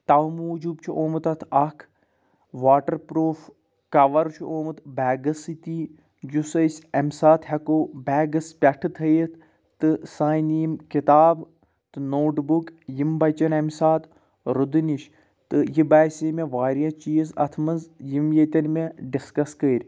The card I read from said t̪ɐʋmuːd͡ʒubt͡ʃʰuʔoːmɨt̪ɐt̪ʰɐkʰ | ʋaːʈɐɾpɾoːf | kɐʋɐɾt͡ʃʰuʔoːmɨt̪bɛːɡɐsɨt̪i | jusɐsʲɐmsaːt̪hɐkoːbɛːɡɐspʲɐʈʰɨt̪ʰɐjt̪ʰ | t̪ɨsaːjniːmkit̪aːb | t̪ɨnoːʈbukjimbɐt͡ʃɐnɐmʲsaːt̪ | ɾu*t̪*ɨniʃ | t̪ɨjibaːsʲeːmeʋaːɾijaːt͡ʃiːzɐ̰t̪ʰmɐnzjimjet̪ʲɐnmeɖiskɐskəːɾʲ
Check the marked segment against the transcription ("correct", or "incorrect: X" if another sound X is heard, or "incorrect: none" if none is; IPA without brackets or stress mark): incorrect: d̪